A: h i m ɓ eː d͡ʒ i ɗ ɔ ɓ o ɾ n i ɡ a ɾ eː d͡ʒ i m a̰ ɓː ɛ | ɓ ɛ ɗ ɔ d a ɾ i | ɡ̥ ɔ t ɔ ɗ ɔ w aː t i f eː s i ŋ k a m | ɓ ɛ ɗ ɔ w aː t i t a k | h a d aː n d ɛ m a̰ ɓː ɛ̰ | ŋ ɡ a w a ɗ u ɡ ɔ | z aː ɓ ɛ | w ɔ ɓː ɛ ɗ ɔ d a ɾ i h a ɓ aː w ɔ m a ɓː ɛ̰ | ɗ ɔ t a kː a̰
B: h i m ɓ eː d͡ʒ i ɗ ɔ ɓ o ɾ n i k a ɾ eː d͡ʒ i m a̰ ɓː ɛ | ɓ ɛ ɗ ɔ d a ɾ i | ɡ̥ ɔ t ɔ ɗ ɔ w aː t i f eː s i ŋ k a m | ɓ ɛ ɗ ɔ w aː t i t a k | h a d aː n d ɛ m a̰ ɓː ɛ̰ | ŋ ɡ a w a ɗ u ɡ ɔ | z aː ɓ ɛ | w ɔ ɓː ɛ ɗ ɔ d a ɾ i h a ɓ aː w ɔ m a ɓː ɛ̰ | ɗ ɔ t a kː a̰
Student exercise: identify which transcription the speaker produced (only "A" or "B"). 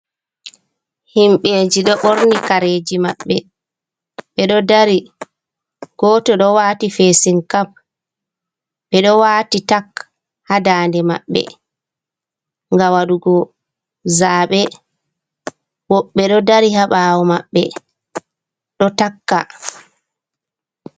B